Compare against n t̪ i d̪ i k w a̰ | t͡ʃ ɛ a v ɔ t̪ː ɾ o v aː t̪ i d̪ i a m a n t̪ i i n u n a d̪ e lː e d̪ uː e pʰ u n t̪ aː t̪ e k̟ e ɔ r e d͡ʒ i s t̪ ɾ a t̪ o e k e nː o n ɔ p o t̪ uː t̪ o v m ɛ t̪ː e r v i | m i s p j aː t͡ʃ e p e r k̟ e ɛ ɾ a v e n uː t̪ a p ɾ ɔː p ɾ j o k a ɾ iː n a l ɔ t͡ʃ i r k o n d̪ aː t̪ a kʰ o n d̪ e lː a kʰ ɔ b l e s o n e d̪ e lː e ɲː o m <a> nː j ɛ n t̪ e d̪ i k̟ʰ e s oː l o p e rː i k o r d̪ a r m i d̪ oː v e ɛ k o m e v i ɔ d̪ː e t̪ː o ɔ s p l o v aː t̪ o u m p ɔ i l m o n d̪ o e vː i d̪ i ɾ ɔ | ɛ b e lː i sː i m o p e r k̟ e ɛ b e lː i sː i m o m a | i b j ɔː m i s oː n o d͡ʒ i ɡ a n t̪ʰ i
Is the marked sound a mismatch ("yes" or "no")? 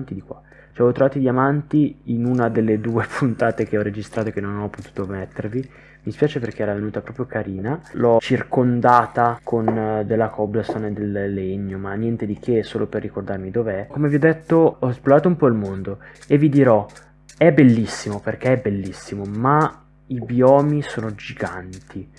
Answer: no